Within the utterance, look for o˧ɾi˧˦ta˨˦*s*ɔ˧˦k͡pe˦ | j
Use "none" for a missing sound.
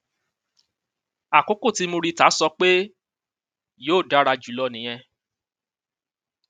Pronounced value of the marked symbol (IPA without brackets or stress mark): s